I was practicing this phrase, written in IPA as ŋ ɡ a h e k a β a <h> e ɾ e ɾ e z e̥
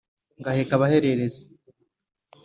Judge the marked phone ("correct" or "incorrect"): correct